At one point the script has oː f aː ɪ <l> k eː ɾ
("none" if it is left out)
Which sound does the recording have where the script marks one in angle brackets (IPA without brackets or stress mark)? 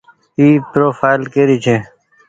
l